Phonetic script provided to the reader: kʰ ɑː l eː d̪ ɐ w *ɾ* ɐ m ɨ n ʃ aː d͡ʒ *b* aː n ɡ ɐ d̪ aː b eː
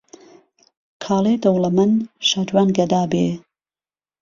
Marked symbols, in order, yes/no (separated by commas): no, no